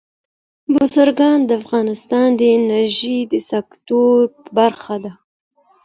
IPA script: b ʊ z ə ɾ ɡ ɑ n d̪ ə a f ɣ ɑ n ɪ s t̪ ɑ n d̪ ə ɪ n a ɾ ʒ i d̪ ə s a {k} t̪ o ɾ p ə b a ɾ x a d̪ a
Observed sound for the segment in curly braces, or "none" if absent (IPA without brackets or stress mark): k